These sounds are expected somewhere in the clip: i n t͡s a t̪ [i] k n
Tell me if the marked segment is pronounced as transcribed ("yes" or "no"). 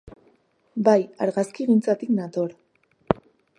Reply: yes